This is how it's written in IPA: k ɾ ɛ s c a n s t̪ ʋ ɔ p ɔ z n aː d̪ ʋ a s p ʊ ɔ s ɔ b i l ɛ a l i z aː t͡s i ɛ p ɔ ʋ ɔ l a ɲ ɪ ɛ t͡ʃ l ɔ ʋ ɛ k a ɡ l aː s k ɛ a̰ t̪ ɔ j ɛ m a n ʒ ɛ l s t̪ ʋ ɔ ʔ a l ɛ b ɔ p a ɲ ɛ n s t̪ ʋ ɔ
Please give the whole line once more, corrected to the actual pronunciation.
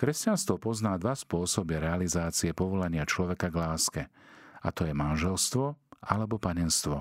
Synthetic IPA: k ɾ ɛ s c a n s t̪ ʋ ɔ p ɔ z n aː d̪ ʋ a s p ʊ ɔ s ɔ b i ɾ ɛ a l i z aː t͡s i ɛ p ɔ ʋ ɔ l a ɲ ɪ a t͡ʃ l ɔ ʋ ɛ k a ɡ l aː s k ɛ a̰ t̪ ɔ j ɛ m a n ʒ ɛ l s t̪ ʋ ɔ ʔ a l ɛ b ɔ p a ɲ ɛ n s t̪ ʋ ɔ